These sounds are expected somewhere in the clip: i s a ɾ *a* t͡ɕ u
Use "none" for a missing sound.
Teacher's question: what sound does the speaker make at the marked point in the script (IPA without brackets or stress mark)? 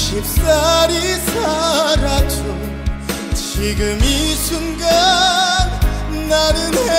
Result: a